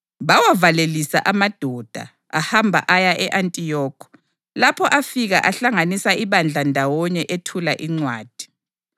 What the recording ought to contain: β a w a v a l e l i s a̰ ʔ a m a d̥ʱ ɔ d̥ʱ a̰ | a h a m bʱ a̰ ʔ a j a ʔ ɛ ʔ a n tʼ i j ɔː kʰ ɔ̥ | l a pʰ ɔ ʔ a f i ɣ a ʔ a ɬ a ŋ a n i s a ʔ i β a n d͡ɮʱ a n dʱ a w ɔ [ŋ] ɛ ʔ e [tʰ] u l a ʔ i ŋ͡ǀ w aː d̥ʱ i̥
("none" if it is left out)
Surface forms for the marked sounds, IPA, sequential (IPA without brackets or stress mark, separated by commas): ɲ, tʰ